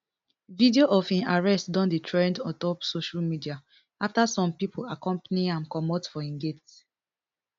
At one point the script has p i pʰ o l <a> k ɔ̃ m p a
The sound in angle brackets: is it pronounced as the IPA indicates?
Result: yes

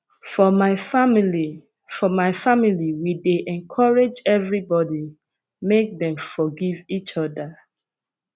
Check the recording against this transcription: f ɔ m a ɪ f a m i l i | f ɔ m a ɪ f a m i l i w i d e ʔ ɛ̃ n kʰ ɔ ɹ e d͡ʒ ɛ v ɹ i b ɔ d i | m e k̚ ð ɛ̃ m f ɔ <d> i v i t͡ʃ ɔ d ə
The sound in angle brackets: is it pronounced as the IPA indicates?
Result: no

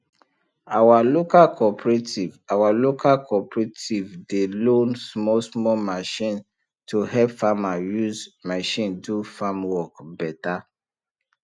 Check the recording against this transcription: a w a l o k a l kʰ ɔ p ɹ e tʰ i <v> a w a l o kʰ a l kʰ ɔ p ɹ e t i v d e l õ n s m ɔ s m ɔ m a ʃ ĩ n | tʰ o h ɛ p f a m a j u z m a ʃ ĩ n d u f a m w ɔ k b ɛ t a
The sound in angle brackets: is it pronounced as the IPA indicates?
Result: yes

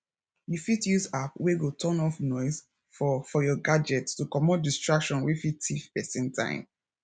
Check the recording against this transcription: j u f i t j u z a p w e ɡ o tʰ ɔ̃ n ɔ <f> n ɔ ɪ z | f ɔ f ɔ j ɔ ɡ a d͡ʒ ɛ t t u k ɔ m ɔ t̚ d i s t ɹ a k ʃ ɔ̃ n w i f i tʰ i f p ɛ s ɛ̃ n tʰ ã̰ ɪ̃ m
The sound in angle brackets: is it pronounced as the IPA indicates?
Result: yes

